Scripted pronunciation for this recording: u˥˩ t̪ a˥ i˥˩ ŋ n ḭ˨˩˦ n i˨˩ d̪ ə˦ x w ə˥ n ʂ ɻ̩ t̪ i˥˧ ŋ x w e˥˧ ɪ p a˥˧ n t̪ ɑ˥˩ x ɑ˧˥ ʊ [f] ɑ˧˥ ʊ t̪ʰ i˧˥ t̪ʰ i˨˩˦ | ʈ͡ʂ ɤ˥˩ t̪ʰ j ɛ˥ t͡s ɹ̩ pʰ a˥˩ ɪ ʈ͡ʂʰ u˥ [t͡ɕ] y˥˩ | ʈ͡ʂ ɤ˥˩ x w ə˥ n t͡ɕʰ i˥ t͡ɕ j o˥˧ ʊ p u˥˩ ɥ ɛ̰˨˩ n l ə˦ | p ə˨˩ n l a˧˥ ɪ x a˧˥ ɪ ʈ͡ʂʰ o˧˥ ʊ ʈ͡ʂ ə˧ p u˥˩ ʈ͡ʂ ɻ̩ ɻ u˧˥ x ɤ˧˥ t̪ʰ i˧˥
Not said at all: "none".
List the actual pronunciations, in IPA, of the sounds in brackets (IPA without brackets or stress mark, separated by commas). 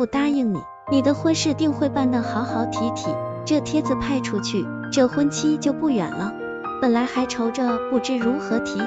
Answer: x, t͡ɕʰ